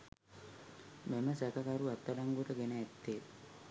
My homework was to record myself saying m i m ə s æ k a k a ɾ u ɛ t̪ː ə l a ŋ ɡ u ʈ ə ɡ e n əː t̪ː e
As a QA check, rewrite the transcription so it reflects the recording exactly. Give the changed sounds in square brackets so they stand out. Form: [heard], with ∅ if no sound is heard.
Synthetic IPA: m [e] m ə s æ k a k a ɾ u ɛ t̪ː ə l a ŋ ɡ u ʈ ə ɡ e n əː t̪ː e